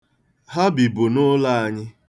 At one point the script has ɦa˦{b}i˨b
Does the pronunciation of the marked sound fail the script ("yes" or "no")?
no